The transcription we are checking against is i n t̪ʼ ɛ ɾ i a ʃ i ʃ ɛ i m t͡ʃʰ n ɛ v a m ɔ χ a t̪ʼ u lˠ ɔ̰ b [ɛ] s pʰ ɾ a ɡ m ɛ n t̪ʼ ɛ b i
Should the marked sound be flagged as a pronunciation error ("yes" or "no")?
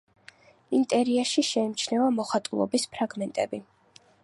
yes